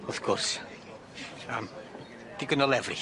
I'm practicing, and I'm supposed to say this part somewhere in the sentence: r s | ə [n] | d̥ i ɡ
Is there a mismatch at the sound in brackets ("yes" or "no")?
yes